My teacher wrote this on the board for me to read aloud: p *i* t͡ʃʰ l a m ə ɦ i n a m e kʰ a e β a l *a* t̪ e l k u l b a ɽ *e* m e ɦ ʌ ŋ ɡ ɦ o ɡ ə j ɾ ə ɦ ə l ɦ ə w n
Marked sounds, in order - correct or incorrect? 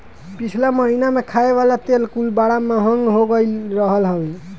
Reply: correct, correct, incorrect: a

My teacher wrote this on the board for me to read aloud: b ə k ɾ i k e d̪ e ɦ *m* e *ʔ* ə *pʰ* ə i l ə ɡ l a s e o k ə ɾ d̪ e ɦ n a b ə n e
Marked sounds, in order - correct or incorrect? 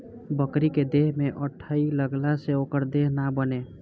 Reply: correct, correct, incorrect: ʈʰ

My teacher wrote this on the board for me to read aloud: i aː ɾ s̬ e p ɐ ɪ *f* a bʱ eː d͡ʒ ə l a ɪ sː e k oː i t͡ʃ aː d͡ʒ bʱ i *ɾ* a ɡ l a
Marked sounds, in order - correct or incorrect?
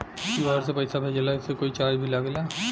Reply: incorrect: s, incorrect: l

